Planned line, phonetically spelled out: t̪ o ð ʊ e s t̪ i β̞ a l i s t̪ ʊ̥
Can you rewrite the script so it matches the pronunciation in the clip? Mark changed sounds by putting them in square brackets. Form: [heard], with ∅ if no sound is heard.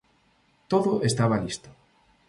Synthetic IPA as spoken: t̪ o ð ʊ e s t̪ [a] β̞ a l i s t̪ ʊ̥